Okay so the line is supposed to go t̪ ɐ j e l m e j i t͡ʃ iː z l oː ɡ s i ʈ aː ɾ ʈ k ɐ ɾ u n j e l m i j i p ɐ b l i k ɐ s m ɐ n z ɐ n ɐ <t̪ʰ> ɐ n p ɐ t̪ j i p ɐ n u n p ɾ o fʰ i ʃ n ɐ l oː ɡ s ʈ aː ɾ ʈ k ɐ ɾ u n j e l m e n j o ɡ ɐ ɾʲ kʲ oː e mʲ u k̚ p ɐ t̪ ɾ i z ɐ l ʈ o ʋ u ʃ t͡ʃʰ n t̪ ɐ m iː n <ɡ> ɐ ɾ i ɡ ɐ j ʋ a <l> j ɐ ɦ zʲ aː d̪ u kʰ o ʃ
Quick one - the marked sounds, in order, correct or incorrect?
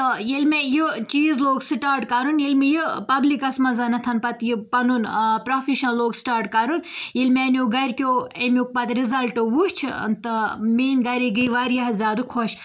correct, correct, incorrect

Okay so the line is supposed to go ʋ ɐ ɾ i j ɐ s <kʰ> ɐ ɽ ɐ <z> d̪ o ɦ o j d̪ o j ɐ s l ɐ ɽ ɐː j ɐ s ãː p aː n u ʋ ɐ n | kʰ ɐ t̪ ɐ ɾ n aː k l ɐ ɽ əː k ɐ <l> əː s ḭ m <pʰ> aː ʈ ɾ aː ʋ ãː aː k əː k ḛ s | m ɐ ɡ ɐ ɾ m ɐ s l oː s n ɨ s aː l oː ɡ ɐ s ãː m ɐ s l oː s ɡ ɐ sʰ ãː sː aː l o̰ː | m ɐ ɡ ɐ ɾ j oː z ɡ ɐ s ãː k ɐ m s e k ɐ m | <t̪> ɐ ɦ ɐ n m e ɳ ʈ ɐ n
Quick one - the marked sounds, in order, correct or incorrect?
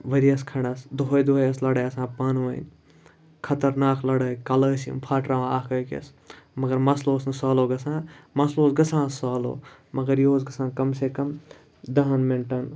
correct, incorrect, correct, correct, incorrect

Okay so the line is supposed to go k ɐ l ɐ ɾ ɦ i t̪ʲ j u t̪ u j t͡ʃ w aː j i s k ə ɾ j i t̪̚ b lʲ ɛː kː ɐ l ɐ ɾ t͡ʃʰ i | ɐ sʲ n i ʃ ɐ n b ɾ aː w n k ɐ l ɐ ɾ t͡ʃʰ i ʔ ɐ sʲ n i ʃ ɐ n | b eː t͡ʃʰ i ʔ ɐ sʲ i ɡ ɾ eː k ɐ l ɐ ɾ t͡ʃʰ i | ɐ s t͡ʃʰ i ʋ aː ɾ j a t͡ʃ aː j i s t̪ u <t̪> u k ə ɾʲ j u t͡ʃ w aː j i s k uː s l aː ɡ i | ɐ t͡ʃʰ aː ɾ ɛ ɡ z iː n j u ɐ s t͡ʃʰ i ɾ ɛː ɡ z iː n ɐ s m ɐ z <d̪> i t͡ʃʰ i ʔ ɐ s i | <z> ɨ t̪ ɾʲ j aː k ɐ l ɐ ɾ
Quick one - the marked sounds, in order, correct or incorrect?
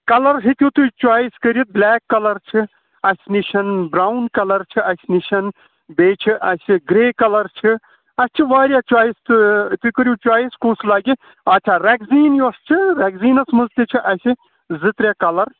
correct, incorrect, correct

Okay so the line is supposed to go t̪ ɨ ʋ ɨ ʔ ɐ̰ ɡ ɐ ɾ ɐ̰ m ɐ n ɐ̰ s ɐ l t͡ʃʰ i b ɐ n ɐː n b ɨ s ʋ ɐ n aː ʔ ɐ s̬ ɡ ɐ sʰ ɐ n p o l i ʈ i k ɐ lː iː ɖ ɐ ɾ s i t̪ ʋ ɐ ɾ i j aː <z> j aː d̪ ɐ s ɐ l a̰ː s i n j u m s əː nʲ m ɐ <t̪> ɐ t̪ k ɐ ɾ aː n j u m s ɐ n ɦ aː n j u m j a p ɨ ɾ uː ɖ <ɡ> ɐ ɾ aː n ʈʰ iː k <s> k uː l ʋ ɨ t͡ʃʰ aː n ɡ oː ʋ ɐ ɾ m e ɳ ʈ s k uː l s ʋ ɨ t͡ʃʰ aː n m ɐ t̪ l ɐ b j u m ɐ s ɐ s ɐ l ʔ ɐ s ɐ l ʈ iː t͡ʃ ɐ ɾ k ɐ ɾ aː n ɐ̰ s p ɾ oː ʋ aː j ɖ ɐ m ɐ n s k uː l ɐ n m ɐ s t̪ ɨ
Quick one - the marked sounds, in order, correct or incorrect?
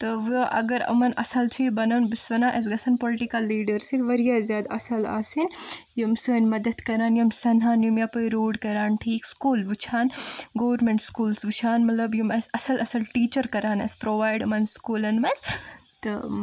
correct, incorrect, incorrect, correct

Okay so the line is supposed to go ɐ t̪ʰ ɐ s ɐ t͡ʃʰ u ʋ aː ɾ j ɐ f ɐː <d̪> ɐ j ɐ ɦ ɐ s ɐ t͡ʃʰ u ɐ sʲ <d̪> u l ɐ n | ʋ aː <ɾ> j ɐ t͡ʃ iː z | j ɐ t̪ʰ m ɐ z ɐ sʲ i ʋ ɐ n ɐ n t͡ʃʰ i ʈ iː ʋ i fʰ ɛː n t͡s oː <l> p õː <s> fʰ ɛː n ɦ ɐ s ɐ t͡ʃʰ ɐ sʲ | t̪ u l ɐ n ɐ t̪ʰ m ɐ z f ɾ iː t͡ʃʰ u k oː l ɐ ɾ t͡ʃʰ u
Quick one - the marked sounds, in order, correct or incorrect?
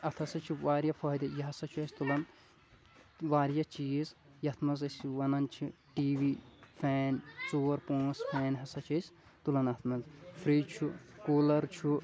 correct, incorrect, correct, incorrect, correct

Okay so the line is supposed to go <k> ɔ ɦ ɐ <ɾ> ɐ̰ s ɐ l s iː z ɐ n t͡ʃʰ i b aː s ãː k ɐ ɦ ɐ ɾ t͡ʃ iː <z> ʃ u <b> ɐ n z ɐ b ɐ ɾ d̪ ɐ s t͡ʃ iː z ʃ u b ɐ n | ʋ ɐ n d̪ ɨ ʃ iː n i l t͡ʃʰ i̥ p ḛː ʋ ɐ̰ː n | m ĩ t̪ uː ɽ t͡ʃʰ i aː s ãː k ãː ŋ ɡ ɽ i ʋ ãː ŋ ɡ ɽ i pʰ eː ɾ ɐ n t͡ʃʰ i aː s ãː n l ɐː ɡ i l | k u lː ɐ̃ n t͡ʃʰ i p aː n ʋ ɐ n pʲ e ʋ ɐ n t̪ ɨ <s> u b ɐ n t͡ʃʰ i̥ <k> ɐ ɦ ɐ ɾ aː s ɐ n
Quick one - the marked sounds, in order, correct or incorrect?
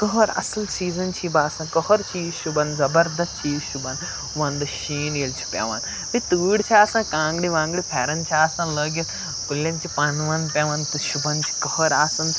correct, correct, correct, correct, incorrect, correct

